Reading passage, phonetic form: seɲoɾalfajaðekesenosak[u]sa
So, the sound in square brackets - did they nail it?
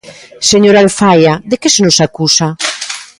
yes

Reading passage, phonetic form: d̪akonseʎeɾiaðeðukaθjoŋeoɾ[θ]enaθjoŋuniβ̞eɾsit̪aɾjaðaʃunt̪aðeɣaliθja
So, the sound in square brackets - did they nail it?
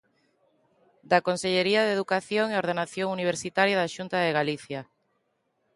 no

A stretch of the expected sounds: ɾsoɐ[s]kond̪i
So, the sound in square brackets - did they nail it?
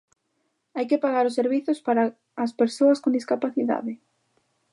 yes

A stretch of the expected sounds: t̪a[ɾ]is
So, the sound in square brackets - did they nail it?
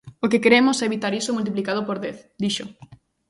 yes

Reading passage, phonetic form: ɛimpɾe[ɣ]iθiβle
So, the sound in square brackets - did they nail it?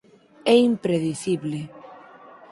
no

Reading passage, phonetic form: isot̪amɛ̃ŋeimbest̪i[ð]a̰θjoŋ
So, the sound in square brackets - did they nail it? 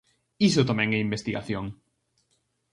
no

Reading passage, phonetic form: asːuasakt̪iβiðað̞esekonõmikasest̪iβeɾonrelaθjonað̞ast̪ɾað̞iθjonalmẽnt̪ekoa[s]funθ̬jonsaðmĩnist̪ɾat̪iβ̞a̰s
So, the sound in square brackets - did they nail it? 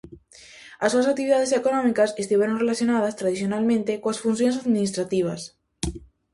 yes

